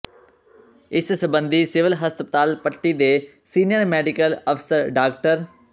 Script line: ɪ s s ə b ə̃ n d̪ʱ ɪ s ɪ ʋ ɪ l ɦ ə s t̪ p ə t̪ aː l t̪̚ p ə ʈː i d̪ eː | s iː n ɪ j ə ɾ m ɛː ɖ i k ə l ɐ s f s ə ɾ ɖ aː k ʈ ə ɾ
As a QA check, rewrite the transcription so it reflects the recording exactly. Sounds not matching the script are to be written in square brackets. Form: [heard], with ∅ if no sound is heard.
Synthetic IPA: ɪ s s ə b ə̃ n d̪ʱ [i] s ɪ ʋ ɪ l ɦ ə s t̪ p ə t̪ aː l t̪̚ p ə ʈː i d̪ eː | s iː n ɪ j ə ɾ m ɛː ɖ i k ə l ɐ [∅] f s ə ɾ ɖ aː k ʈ ə ɾ